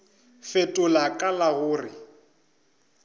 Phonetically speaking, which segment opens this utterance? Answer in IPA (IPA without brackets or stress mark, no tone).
f